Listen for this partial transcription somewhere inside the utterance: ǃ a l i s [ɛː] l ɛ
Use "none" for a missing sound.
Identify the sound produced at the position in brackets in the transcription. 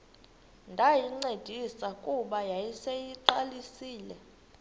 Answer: iː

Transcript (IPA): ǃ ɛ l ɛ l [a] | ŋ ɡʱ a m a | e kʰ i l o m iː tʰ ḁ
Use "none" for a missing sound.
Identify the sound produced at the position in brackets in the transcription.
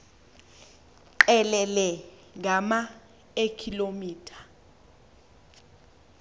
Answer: ɛ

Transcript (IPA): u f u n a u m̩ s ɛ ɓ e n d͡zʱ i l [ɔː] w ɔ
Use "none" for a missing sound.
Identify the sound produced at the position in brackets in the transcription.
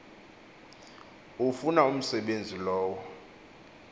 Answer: ɔː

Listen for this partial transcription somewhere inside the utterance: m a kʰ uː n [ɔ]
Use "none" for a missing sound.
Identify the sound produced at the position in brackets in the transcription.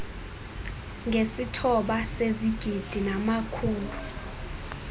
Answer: u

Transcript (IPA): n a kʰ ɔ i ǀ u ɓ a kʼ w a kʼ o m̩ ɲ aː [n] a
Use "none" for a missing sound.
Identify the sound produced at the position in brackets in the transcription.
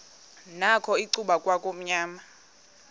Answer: m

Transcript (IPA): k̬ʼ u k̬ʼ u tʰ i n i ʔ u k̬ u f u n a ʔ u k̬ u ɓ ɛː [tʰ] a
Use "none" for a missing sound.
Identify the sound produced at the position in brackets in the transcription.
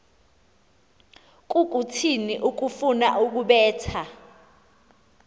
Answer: tʰ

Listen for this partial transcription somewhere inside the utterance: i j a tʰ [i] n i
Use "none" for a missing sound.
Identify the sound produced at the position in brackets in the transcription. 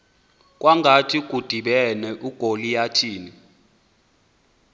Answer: iː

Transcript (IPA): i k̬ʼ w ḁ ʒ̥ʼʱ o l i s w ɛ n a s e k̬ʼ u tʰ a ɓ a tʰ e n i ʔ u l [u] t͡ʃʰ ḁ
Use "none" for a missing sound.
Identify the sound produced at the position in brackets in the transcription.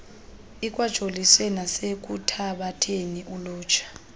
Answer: uː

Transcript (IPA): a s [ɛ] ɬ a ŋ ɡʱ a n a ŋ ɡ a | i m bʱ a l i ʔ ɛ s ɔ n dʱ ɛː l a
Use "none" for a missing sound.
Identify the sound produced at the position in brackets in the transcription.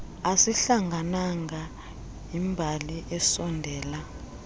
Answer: i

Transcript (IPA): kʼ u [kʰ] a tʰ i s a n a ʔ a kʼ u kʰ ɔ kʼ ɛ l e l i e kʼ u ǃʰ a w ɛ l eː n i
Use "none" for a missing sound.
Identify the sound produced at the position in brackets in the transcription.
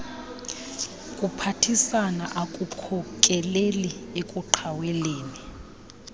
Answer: pʰ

